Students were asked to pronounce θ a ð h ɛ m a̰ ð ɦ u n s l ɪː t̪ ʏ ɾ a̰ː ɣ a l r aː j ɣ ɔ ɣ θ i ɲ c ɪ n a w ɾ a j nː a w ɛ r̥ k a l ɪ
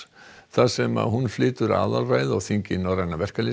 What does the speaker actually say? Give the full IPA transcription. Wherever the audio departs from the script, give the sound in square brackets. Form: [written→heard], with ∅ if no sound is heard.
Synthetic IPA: θ a ð [h→s] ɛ m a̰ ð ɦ u n [s→f] l ɪː t̪ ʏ ɾ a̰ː [ɣ→ð] a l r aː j [ɣ→ð] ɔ ɣ θ i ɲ c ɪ n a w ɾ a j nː a [w→v] ɛ r̥ k a l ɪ